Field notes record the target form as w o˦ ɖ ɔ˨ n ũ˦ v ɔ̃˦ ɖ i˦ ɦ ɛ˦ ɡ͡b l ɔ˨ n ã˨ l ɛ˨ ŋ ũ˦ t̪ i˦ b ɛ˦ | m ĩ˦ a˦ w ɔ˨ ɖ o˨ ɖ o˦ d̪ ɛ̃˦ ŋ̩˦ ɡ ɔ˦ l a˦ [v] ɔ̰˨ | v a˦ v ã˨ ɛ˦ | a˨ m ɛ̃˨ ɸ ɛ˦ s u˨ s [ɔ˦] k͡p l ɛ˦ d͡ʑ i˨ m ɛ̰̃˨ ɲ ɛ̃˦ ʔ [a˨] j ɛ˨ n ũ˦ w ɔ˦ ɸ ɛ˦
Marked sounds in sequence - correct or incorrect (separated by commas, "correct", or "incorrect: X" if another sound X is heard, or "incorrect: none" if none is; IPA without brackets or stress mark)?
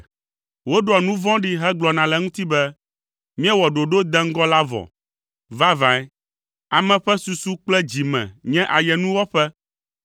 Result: correct, incorrect: u˦, correct